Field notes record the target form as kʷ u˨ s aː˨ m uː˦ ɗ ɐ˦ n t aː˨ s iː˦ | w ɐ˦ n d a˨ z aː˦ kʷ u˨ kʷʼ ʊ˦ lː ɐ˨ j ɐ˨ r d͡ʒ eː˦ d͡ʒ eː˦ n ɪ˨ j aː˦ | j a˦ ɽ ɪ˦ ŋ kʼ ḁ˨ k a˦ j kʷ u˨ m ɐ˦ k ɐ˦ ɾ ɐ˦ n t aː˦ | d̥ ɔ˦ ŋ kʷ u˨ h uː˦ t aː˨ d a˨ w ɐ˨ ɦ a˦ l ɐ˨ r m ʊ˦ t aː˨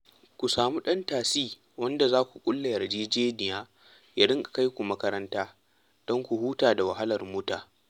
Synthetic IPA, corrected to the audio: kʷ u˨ s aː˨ m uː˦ ɗ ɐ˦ n t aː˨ s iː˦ | w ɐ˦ n d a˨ z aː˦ kʷ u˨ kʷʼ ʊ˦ lː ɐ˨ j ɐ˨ r d͡ʒ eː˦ d͡ʒ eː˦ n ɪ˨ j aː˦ | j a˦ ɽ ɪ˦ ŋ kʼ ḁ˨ k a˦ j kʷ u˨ m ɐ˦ k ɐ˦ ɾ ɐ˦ n t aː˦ | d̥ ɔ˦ ŋ kʷ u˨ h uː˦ t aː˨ d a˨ w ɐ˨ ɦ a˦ l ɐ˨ r m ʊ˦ t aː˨